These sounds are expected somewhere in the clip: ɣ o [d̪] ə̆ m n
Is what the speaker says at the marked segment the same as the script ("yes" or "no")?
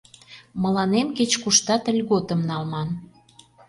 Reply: no